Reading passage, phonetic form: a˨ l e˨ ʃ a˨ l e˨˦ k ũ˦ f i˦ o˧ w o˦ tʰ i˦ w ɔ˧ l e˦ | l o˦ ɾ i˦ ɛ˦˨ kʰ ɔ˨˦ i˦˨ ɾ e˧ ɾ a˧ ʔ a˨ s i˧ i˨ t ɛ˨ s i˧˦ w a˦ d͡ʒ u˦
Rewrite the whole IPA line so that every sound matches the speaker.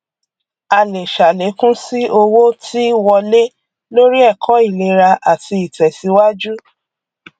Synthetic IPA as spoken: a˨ l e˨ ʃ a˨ l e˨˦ k ũ˦ s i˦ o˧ w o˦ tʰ i˦ w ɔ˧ l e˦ | l o˦ ɾ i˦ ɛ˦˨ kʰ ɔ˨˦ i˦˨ l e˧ ɾ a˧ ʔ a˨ t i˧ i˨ t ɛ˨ s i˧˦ w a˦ d͡ʒ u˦